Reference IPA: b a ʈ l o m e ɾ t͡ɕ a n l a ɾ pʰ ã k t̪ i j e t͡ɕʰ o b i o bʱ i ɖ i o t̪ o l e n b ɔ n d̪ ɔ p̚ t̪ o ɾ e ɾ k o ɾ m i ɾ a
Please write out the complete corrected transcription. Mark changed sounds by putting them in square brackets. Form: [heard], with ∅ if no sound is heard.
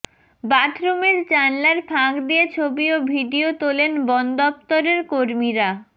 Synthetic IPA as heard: b a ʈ [ɾ] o m e ɾ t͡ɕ a n l a ɾ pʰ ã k [d̪] i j e t͡ɕʰ o b i o bʱ i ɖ i o t̪ o l e n b ɔ n d̪ ɔ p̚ t̪ o ɾ e ɾ k o ɾ m i ɾ a

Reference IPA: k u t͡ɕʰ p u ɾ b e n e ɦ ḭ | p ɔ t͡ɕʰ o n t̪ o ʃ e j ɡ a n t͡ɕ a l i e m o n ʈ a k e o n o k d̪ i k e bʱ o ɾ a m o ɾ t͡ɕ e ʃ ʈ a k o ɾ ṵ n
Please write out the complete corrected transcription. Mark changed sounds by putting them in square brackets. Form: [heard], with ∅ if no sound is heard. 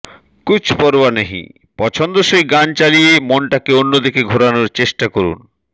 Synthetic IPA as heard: k u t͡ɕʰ p [ɔ] ɾ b [a] n e ɦ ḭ | p ɔ t͡ɕʰ o n [d̪] o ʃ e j ɡ a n t͡ɕ a l i e m o n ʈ a k e o [nː] o [∅] d̪ i k e [ɡʱ] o ɾ a [n] o ɾ t͡ɕ e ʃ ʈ a k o ɾ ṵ n

